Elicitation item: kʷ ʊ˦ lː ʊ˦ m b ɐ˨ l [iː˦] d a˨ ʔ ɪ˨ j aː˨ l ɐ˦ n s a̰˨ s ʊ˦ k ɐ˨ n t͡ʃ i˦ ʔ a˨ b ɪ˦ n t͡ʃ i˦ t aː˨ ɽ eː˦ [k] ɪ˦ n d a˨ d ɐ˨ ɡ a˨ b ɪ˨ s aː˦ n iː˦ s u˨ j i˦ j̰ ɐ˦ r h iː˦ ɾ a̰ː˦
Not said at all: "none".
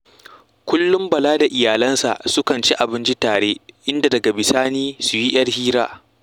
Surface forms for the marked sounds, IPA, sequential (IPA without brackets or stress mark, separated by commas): aː˦, ʔ